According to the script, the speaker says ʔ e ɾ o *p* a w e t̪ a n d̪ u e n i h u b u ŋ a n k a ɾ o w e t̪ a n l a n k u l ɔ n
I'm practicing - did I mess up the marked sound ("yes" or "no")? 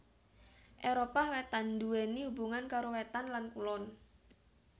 no